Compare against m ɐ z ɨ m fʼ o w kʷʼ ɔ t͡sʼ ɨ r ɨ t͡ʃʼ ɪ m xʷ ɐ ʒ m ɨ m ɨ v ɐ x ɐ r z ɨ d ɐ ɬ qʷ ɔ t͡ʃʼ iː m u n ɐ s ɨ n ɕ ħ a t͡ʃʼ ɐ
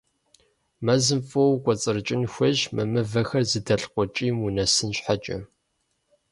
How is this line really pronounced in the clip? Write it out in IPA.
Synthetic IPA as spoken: m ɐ z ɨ m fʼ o w kʷʼ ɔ t͡sʼ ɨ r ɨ t͡ʃʼ ɪ n xʷ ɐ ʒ m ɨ m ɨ v ɐ x ɐ r z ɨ d ɐ ɬ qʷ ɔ t͡ʃʼ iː m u n ɐ s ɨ n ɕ ħ a t͡ʃʼ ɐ